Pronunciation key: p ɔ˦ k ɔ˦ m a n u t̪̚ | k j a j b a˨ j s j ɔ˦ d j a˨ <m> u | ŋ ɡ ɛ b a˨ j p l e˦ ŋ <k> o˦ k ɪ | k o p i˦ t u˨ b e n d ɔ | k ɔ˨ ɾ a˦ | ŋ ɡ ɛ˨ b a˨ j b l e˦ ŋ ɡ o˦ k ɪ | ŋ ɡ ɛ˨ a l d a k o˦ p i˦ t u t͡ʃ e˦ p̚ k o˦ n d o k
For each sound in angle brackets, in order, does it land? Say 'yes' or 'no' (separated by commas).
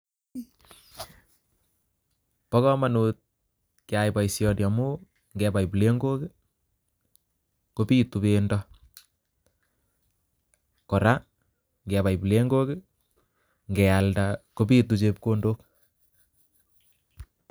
yes, no